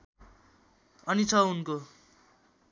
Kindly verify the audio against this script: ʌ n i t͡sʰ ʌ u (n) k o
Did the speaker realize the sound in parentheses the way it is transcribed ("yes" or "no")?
yes